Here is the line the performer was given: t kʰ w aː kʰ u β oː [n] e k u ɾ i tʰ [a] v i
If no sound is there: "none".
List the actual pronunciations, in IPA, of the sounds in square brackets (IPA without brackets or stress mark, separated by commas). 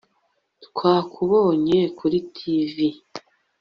ɲ, i